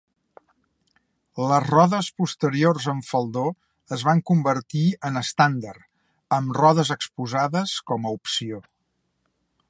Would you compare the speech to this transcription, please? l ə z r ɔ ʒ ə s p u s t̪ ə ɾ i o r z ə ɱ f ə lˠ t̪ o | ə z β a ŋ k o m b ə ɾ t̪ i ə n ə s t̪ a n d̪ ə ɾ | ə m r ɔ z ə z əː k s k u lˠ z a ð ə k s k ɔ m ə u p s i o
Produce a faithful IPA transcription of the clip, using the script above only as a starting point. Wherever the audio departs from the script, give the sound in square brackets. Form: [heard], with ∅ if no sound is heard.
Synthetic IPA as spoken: l ə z r ɔ [ð] ə s p u s t̪ ə ɾ i o r z ə ɱ f ə lˠ [d̪] o | ə z β a ŋ k [u] m b ə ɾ t̪ i ə n ə s t̪ a n d̪ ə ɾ | ə m r ɔ [ð] ə z [ə] k s [p] u [∅] z a ð ə [∅] s k ɔ m ə u p s i o